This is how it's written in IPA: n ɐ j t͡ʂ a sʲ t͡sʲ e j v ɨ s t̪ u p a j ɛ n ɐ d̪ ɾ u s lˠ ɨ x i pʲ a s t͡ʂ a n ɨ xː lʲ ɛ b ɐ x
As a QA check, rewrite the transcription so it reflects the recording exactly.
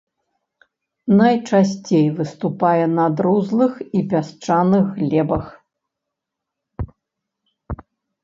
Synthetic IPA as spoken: n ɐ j t͡ʂ a sʲ t͡sʲ e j v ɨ s t̪ u p a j ɛ n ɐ d̪ ɾ u z lˠ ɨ x i pʲ a s t͡ʂ a n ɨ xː lʲ ɛ b ɐ x

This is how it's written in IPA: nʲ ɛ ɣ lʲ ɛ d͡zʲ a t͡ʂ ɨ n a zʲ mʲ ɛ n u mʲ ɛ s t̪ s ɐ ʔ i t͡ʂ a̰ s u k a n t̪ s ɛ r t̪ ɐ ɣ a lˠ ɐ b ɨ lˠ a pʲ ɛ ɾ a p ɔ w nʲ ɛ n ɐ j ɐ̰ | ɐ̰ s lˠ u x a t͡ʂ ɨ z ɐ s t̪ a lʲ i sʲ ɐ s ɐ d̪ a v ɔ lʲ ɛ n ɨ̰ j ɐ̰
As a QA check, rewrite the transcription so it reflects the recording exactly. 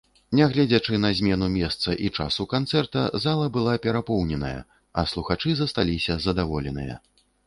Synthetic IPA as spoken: nʲ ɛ ɣ lʲ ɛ d͡zʲ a t͡ʂ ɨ n ɐ zʲ mʲ ɛ n u mʲ ɛ s t̪ s ɐ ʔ i t͡ʂ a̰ s u k a n t̪ s ɛ r t̪ ɐ z a lˠ ɐ b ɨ lˠ a pʲ ɛ ɾ a p ɔ w nʲ ɛ n ɐ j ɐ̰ | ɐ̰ s lˠ u x a t͡ʂ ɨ z ɐ s t̪ a lʲ i sʲ ɐ z ɐ d̪ a v ɔ lʲ ɛ n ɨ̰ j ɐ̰

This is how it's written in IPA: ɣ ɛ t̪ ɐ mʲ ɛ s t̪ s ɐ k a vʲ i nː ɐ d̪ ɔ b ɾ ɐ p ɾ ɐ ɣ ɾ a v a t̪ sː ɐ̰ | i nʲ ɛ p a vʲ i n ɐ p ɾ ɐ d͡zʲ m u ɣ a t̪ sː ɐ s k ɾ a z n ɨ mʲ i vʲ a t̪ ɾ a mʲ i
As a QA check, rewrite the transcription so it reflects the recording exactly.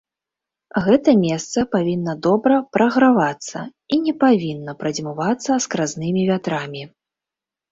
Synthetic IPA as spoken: ɣ ɛ t̪ ɐ mʲ ɛ s t̪ s ɐ p a vʲ i nː ɐ d̪ ɔ b ɾ ɐ p ɾ ɐ ɣ ɾ a v a t̪ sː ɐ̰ | i nʲ ɛ p a vʲ i nː ɐ p ɾ ɐ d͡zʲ m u v a t̪ sː ɐ s k ɾ a z n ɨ mʲ i vʲ a t̪ ɾ a mʲ i

